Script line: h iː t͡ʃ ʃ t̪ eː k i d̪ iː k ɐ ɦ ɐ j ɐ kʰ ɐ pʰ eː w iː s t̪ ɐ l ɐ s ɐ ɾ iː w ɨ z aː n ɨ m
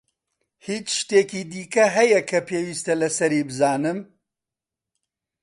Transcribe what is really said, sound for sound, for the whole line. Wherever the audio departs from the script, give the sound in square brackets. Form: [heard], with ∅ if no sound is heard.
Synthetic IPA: h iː t͡ʃ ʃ t̪ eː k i d̪ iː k ɐ ɦ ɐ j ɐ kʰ ɐ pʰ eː w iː s t̪ ɐ l ɐ s ɐ ɾ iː [b] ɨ z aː n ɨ m